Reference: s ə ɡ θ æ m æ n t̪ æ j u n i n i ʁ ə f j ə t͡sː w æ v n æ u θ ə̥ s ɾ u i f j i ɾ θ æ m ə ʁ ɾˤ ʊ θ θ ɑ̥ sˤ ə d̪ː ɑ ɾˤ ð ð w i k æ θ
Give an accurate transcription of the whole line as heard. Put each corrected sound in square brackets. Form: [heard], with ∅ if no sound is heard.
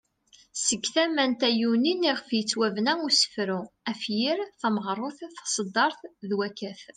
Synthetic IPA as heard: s ə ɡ θ æ m æ n t̪ æ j u n i n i ʁ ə f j ə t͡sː w æ v n æ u [s] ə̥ [f] ɾ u [æ] f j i ɾ θ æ m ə ʁ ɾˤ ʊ θ θ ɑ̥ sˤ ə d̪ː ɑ ɾˤ [θ] ð w [æ] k æ θ